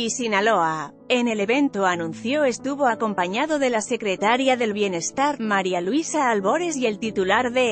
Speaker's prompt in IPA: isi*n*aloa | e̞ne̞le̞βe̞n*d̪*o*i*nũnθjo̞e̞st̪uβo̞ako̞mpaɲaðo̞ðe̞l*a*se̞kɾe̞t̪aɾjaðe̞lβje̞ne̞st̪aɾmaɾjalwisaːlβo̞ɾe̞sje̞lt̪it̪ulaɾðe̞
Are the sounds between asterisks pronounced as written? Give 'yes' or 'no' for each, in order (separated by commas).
yes, no, no, yes